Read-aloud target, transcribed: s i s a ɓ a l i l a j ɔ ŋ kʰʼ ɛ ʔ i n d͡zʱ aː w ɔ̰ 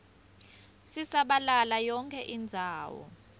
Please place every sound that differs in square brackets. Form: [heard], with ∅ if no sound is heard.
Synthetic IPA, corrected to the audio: s i s a ɓ a l [a] l a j ɔ ŋ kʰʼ ɛ ʔ i n d͡zʱ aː w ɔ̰

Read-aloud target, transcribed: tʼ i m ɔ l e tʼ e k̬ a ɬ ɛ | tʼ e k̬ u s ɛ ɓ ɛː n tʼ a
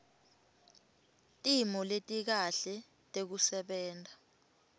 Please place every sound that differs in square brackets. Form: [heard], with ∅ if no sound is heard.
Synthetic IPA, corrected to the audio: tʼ i m ɔ l e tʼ [i] k̬ a ɬ ɛ | tʼ e k̬ u s ɛ ɓ ɛː n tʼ a

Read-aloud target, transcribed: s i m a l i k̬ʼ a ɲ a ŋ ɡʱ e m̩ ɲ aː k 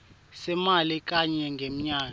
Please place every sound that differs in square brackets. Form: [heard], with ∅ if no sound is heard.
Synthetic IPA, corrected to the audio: s [ɛ] m a l i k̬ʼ a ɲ [ɛ] ŋ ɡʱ e m̩ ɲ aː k

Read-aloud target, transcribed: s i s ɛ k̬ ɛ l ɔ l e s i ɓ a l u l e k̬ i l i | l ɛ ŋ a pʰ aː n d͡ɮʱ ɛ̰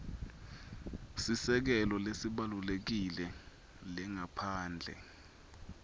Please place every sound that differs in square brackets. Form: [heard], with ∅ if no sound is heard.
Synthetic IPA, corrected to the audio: s i s ɛ k̬ ɛ l ɔ l e s i ɓ a l u l e k̬ i l [ɛ] | l ɛ ŋ a pʰ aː n d͡ɮʱ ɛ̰

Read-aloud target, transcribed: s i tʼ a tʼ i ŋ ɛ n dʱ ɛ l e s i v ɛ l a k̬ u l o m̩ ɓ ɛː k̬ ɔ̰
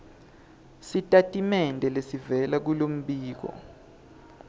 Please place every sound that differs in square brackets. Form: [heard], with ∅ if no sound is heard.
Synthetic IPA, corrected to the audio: s i tʼ a tʼ i [m] ɛ n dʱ ɛ l e s i v ɛ l a k̬ u l o m̩ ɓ [iː] k̬ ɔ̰

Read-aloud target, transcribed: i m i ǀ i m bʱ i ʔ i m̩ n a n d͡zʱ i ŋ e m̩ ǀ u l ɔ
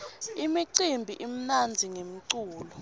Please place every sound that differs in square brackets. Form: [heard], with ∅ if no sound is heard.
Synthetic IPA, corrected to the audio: i m i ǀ i m bʱ i ʔ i m̩ n a n d͡zʱ i ŋ e m̩ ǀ [uː] l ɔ

